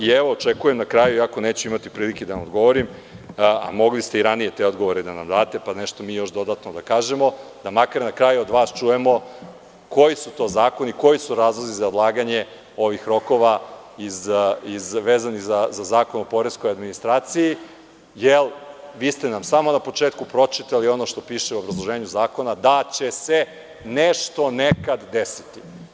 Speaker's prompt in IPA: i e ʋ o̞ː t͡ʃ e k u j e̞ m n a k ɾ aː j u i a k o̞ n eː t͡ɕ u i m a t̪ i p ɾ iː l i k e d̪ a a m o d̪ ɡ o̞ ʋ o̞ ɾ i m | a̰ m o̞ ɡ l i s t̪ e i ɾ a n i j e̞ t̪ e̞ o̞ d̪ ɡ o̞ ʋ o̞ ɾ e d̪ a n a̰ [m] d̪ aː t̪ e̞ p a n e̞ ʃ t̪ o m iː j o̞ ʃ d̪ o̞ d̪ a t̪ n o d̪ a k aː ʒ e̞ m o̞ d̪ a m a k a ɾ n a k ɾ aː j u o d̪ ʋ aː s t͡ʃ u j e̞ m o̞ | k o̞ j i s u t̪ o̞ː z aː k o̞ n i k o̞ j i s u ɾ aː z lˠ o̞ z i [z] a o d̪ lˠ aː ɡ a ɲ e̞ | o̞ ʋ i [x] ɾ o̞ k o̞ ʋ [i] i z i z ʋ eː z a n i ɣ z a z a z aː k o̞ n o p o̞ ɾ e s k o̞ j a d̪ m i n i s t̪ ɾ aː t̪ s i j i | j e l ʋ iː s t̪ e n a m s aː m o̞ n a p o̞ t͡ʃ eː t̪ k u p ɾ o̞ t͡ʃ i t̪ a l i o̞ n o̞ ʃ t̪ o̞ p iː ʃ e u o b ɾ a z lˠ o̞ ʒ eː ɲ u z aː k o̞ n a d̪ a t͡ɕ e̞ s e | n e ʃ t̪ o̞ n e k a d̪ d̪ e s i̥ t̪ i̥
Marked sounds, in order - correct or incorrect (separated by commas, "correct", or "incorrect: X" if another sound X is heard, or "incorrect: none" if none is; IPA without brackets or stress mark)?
correct, correct, correct, incorrect: a